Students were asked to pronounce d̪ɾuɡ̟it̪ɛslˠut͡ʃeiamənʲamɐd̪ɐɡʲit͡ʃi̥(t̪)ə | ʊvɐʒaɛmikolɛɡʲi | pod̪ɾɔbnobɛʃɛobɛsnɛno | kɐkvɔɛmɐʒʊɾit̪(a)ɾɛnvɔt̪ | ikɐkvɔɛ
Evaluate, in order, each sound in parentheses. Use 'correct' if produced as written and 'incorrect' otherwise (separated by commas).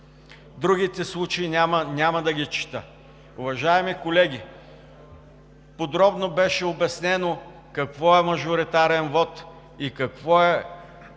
correct, correct